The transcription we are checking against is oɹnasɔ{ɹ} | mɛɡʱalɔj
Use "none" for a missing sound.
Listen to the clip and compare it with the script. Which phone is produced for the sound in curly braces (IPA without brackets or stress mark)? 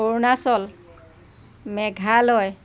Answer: l